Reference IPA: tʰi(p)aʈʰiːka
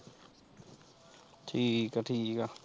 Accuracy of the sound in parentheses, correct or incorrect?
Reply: incorrect